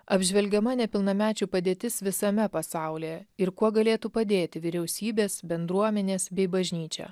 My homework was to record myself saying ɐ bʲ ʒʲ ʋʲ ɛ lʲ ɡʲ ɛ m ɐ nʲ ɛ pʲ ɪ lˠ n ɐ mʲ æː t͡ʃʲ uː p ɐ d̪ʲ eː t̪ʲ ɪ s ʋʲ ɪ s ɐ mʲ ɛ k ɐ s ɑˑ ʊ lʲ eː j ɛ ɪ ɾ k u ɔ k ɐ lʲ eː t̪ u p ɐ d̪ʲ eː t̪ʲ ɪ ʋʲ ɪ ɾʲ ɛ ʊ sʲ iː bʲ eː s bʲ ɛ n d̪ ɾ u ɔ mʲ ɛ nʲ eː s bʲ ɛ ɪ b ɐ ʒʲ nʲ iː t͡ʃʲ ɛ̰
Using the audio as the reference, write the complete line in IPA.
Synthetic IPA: ɐ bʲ ʒʲ ʋʲ ɛ lʲ ɡʲ ɛ m ɐ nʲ ɛ pʲ ɪ lˠ n ɐ mʲ æː t͡ʃʲ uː p ɐ d̪ʲ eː t̪ʲ ɪ s ʋʲ ɪ s ɐ mʲ ɛ p ɐ s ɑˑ ʊ lʲ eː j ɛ ɪ ɾ k u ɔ ɡ ɐ lʲ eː t̪ u p ɐ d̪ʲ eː t̪ʲ ɪ ʋʲ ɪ ɾʲ ɛ ʊ sʲ iː bʲ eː s bʲ ɛ n d̪ ɾ u ɔ mʲ ɛ nʲ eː s bʲ ɛ ɪ b ɐ ʒʲ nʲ iː t͡ʃʲ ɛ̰